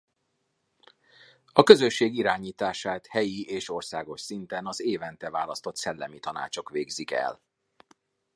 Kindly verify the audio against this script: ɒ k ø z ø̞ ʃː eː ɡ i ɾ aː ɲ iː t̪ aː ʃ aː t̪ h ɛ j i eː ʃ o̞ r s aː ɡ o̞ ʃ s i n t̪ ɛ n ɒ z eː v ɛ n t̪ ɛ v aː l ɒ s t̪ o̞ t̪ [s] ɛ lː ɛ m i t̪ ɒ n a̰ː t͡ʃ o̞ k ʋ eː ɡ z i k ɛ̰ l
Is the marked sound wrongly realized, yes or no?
no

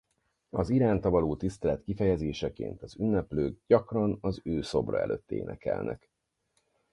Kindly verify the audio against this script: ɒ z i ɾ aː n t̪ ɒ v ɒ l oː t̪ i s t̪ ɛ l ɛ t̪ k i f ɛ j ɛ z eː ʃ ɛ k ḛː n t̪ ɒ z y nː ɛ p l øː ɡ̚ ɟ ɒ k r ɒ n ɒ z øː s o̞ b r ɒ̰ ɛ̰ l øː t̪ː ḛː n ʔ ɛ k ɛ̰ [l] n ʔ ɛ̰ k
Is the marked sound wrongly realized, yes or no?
no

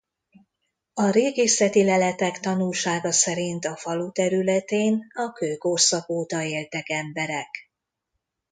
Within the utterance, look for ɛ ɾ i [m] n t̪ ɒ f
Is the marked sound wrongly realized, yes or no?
yes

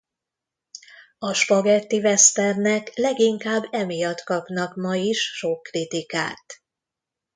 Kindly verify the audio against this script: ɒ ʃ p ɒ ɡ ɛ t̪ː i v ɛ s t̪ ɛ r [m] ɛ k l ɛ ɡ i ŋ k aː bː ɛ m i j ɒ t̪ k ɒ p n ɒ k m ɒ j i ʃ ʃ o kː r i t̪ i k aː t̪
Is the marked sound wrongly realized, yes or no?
yes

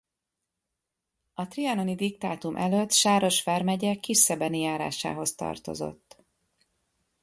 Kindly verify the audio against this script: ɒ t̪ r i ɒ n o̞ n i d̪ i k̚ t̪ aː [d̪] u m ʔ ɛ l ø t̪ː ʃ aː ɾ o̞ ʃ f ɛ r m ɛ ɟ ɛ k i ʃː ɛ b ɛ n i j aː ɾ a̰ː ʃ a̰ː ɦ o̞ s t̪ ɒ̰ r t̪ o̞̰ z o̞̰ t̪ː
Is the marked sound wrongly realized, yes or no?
yes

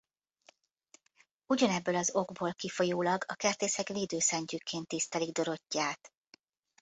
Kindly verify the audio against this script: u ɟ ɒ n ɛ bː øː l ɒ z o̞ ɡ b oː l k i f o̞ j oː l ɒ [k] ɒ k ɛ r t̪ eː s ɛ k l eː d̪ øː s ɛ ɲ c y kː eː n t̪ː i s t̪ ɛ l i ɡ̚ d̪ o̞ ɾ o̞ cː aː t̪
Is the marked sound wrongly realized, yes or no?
yes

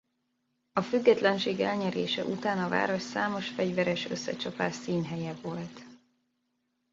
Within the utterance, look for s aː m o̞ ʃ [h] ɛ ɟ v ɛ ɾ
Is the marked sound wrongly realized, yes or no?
yes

